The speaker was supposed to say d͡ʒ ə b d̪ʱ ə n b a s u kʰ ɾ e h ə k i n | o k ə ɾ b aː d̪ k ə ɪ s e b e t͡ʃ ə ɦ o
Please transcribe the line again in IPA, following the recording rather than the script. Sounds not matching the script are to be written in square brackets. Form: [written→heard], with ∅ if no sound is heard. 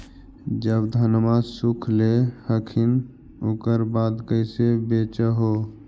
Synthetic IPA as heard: d͡ʒ ə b d̪ʱ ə n [b→m] a s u kʰ [ɾ→l] e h ə [k→kʰ] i n | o k ə ɾ b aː d̪ k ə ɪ s e b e t͡ʃ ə ɦ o